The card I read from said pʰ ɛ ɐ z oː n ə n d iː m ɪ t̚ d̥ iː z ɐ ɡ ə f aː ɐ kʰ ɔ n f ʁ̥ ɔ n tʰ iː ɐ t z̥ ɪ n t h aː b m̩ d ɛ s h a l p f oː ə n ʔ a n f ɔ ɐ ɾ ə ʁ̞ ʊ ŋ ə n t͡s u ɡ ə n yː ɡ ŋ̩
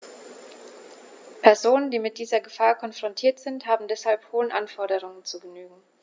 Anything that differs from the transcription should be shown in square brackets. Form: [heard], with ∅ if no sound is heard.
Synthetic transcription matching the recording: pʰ ɛ ɐ z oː n ə n d iː m ɪ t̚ d̥ iː z ɐ ɡ ə f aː ɐ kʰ ɔ n f ʁ̥ ɔ n tʰ iː ɐ t z̥ ɪ n t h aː b m̩ d ɛ s h a l p [h] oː ə n ʔ a n f ɔ ɐ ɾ ə ʁ̞ ʊ ŋ ə n t͡s u ɡ ə n yː ɡ ŋ̩